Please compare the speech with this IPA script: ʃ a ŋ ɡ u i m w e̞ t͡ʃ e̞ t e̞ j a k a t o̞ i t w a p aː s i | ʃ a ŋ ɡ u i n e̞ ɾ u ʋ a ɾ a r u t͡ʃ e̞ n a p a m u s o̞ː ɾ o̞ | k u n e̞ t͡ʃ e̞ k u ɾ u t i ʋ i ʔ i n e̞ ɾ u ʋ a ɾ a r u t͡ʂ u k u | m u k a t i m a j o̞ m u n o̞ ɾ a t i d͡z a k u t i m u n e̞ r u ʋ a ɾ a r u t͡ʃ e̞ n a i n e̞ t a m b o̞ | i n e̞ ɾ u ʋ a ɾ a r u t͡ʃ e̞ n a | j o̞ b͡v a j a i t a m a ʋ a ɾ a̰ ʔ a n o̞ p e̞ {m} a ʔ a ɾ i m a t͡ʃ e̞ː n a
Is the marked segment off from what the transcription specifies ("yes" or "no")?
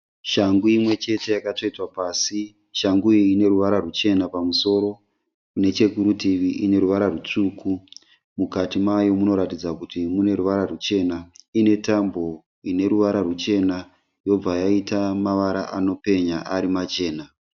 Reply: yes